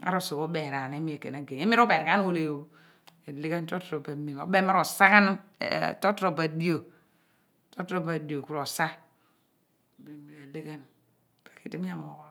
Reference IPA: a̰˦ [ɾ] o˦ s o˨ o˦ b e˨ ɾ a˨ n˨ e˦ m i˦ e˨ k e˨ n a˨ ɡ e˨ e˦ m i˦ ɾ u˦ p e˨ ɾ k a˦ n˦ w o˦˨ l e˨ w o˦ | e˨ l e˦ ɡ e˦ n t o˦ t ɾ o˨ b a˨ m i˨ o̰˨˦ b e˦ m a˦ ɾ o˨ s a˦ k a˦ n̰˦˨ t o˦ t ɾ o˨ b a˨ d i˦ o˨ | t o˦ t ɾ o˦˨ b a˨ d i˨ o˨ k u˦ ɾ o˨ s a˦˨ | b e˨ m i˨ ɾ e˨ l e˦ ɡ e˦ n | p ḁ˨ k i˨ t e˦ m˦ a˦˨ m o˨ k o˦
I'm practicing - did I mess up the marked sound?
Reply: no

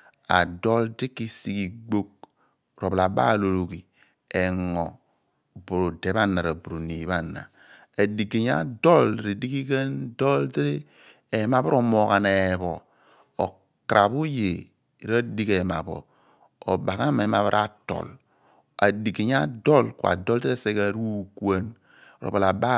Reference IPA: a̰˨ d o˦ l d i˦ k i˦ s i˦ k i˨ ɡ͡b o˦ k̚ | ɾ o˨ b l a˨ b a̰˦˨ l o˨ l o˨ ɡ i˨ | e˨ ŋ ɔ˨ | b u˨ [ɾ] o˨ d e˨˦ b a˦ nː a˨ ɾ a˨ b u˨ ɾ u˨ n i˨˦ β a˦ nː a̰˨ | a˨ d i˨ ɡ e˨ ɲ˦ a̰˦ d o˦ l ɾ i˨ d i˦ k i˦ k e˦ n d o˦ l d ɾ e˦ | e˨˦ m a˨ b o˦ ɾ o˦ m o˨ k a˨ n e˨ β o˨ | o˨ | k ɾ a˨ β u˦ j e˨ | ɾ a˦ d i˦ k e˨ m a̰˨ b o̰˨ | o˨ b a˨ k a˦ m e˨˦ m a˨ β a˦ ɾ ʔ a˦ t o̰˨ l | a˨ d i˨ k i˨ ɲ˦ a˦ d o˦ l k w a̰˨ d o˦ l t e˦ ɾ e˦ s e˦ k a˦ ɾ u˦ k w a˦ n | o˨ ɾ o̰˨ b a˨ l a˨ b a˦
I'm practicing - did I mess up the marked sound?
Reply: no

